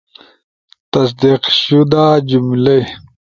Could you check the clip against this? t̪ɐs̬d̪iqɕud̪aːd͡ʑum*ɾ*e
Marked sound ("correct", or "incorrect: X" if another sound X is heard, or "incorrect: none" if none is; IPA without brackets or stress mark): incorrect: l